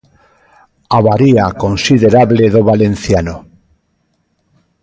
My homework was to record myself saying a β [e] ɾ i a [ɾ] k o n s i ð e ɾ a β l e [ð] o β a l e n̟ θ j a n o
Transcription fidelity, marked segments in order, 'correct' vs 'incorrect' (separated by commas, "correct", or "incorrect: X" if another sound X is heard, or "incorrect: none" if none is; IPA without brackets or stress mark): incorrect: a, incorrect: none, correct